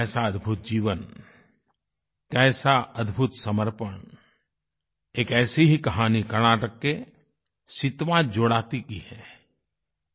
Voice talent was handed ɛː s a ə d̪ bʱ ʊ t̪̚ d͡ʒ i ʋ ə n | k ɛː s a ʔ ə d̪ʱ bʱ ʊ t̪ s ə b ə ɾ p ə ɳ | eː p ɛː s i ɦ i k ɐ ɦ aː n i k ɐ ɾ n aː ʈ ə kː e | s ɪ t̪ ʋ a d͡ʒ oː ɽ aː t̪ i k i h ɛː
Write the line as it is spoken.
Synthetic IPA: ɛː s a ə d̪ bʱ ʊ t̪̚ d͡ʒ iː ʋ ə n | k ɛː s a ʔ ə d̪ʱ bʱ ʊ t̪ s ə m ə ɾ p ə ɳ | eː k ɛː s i ɦ i k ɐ ɦ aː n i k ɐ ɾ n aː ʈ ə kː e | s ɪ t̪ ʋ a d͡ʒ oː ɽ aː t̪ i k i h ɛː

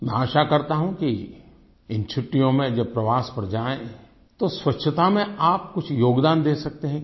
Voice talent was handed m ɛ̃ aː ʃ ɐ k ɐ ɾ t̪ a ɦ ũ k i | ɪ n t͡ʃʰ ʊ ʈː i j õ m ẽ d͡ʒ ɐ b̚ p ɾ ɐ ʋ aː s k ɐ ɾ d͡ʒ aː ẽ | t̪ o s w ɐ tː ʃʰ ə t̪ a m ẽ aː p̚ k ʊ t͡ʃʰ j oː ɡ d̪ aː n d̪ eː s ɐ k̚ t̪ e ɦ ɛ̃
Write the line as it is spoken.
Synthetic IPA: m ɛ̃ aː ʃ a k ɐ ɾ t̪ a ɦ ũ k i | ɪ n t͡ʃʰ ʊ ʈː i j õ m ẽ d͡ʒ ɐ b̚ p ɾ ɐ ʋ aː s p ɐ ɾ d͡ʒ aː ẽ | t̪ o s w ɐ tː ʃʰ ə t̪ a m ẽ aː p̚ k ʊ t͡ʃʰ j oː ɡ d̪ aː n d̪ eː s ɐ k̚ t̪ e ɦ ɛ̃

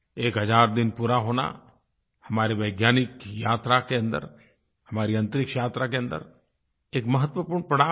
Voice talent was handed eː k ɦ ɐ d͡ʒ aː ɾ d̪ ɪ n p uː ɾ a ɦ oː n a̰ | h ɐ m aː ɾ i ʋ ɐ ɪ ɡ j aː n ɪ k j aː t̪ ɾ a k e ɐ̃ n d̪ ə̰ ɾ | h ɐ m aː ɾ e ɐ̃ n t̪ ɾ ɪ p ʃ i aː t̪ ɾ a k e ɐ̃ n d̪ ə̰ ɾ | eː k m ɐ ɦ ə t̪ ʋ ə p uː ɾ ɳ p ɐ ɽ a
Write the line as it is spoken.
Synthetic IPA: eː k ɦ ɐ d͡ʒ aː ɾ d̪ ɪ n p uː ɾ a ɦ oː n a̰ | h ɐ m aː ɾ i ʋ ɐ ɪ ɡ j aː n ɪ k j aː t̪ ɾ a k e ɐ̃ n d̪ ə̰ ɾ | h ɐ m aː ɾ i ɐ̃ n t̪ ɾ ɪ k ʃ j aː t̪ ɾ a k e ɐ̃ n d̪ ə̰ ɾ | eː k m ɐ ɦ ə t̪ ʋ ə p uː ɾ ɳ p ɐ ɽ a

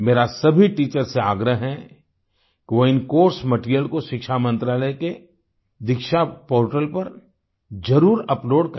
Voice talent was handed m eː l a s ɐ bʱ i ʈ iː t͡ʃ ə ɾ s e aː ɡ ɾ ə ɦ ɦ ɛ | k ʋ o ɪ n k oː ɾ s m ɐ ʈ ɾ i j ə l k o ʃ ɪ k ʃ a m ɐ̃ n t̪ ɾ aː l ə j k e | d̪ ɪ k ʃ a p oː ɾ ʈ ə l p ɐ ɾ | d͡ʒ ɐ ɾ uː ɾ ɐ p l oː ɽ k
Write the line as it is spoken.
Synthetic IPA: m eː ɾ a s ɐ bʱ i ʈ iː t͡ʃ ə ɾ s e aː ɡ ɾ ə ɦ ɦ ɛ | k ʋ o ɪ n k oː ɾ s m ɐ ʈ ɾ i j ə l k o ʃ ɪ k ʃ a m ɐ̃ n t̪ ɾ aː l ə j k e | d̪ ɪ k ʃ a p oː ɾ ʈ ə l p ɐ ɾ | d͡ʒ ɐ ɾ uː ɾ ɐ p l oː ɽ k

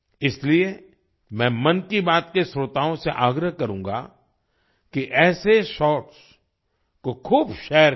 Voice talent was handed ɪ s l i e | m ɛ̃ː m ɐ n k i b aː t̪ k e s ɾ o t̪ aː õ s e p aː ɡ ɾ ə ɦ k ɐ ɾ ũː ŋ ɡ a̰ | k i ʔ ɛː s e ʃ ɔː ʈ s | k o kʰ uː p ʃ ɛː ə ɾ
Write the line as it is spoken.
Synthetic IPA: ɪ s l i e | m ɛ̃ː m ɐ n k i b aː t̪ k e s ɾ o t̪ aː õ s e ʔ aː ɡ ɾ ə ɦ k ɐ ɾ ũː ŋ ɡ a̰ | k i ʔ ɛː s e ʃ ɔː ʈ s | k o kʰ uː b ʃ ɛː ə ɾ

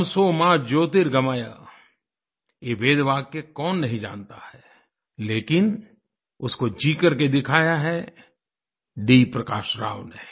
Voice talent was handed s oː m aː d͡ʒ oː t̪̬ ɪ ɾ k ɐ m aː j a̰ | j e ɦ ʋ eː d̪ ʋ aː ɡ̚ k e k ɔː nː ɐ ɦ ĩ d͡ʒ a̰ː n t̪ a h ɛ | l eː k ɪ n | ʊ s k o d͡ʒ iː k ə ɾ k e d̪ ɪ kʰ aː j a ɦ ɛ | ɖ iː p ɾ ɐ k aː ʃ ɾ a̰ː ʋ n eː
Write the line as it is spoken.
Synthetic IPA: s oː m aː d͡ʒ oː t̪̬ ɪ ɾ ɡ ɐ m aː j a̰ | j e ʋ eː d̪ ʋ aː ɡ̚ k e k ɔː nː ɐ ɦ ĩ d͡ʒ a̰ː n t̪ a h ɛ | l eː k ɪ n | ʊ s k o d͡ʒ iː k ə ɾ k e d̪ ɪ kʰ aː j a ɦ ɛ | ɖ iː p ɾ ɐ k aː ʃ ɾ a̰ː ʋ n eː

